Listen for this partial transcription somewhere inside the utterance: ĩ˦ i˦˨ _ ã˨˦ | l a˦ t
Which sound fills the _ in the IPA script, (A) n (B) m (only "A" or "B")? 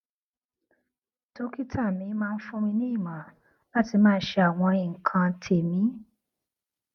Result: B